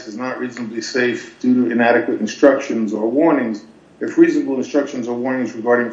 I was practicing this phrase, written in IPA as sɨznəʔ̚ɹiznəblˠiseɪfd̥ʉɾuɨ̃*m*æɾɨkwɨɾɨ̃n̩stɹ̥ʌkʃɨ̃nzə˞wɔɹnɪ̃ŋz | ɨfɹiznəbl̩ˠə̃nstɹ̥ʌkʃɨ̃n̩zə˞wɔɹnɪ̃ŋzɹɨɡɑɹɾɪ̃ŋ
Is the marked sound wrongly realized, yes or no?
yes